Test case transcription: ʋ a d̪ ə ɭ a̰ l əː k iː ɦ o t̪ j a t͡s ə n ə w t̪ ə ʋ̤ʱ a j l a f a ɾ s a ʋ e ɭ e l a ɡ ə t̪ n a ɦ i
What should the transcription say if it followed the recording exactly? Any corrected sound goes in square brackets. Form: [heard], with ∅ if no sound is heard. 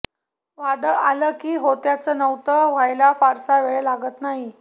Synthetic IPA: ʋ a d̪ ə ɭ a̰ l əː k iː ɦ o t̪ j a t͡s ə n ə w t̪ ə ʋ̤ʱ a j l a f a ɾ s a ʋ e ɭ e l a ɡ ə t̪ n a ɦ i